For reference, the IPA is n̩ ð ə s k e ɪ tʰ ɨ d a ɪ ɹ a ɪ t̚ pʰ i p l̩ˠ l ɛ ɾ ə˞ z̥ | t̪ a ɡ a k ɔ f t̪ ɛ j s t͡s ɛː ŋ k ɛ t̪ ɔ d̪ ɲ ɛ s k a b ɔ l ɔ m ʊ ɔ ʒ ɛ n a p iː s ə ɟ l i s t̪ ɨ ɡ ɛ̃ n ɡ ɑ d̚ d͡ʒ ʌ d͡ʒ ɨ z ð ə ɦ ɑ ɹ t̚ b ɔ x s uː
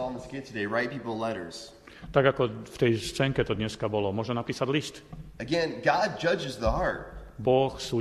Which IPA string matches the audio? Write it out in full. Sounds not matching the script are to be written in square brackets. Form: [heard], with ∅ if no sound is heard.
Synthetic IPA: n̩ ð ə s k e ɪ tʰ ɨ d [e] ɪ ɹ a ɪ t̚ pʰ i p l̩ˠ l ɛ ɾ ə˞ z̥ | t̪ a ɡ a k ɔ f t̪ ɛ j s t͡s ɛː ŋ k ɛ t̪ ɔ d̪ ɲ ɛ s k a b ɔ l ɔ m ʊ ɔ ʒ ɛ n a p iː s [a] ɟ l i s t̪ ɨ ɡ ɛ̃ n ɡ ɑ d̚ d͡ʒ ʌ d͡ʒ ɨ z ð ə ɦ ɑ ɹ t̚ b ɔ x s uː